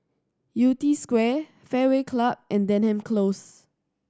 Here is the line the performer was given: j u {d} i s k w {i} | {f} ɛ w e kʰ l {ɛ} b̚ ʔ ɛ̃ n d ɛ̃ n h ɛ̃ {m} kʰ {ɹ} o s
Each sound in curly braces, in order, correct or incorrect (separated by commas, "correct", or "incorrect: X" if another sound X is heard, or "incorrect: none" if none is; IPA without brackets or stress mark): incorrect: t, incorrect: ɛ, correct, incorrect: a, correct, incorrect: l